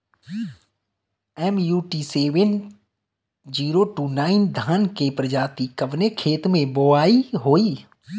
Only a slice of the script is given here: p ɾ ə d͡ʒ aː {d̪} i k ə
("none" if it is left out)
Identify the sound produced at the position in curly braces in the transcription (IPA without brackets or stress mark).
t̪